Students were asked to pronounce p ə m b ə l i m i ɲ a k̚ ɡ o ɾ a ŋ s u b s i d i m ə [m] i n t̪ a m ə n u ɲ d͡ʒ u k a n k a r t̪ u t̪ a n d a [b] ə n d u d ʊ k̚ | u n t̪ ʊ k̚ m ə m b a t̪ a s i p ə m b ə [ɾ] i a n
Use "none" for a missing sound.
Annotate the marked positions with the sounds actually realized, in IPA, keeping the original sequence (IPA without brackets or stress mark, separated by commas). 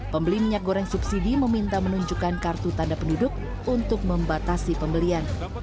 m, p, l